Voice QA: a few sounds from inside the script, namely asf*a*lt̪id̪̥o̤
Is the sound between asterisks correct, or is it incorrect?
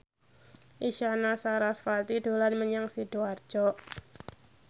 correct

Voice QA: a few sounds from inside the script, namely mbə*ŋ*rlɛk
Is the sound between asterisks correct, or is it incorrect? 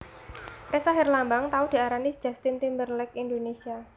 incorrect: none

